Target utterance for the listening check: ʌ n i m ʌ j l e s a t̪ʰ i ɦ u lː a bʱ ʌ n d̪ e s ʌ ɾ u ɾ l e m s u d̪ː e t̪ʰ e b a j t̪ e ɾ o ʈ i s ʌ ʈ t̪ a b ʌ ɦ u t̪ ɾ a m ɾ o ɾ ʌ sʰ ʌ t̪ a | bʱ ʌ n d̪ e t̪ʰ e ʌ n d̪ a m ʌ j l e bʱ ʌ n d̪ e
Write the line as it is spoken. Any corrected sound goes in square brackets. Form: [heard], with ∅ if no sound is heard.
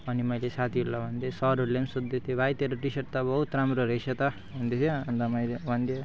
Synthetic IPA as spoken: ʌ n i m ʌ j l e s a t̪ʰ i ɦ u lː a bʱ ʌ n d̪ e s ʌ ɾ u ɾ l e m s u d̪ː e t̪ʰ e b a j t̪ e ɾ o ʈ i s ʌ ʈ t̪ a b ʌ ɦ u t̪ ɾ a m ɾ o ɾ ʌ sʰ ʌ t̪ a | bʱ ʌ n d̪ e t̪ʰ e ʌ n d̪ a m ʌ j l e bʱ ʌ n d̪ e